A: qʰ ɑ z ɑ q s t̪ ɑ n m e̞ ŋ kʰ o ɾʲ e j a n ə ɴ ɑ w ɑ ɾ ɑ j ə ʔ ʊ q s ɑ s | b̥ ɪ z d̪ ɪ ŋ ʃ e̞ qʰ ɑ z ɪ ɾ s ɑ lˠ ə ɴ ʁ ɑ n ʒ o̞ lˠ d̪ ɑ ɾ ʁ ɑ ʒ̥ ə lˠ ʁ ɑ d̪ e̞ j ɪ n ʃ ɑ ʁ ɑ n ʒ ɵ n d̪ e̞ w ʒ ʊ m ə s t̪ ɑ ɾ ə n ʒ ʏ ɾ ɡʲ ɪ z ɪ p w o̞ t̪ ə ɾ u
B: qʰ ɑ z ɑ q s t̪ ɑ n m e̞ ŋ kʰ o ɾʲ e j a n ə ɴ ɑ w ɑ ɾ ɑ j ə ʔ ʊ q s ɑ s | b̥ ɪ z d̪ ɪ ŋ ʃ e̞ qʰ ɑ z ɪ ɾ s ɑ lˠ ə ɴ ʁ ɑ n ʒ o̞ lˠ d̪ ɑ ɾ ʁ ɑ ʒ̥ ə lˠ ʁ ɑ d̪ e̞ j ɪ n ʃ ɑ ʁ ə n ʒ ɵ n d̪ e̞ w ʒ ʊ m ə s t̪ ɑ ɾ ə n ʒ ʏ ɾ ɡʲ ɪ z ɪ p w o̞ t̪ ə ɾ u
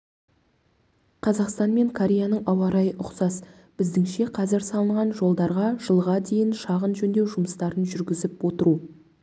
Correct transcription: B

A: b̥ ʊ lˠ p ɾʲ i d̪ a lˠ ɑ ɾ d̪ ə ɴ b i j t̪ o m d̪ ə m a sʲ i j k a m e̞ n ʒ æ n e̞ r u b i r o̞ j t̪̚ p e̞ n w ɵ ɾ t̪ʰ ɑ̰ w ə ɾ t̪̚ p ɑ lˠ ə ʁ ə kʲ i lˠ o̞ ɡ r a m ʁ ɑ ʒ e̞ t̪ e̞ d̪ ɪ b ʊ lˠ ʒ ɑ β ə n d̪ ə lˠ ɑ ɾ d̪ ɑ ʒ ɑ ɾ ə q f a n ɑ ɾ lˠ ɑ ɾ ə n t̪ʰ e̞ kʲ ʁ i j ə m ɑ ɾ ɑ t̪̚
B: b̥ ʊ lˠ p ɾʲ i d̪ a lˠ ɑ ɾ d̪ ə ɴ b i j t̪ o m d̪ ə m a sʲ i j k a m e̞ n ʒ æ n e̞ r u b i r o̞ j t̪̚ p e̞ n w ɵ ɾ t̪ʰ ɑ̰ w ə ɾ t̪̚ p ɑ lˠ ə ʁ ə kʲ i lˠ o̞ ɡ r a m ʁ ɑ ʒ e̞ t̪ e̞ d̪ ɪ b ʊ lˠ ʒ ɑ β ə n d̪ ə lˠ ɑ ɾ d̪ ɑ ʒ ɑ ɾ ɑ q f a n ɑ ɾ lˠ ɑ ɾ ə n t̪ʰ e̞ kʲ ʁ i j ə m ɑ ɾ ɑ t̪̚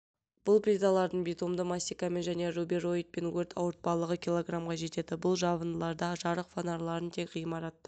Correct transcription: A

